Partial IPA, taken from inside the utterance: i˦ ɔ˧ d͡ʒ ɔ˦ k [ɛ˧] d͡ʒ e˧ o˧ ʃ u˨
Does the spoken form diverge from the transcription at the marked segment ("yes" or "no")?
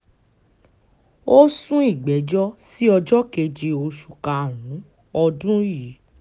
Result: yes